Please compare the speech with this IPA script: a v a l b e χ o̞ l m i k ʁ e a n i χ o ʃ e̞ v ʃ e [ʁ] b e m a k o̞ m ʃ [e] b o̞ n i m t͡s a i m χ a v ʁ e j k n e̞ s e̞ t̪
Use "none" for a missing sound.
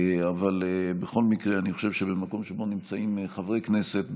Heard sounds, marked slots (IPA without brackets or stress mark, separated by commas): none, e